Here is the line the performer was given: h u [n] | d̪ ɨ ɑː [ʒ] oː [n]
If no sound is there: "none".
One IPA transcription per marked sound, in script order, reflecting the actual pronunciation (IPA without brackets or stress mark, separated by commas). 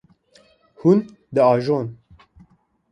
n, ʒ, n